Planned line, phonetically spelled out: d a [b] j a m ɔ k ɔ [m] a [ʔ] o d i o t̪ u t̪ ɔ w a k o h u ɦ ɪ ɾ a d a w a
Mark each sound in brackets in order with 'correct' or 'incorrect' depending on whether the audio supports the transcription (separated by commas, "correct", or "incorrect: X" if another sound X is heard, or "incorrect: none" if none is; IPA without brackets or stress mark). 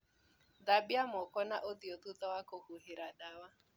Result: correct, incorrect: n, correct